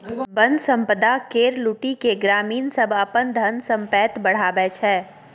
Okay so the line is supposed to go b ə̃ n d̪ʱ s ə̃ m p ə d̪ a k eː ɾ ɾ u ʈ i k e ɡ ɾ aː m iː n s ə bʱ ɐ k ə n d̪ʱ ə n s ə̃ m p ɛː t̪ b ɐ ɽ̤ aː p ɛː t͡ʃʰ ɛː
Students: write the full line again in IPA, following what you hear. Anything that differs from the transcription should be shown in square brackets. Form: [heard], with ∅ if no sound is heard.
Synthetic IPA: b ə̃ n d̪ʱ s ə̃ m p ə d̪ a k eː ɾ [l] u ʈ i k e ɡ ɾ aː m iː n s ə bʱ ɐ [p] ə n d̪ʱ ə n s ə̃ m p ɛː t̪ b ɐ ɽ̤ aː [b] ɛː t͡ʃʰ ɛː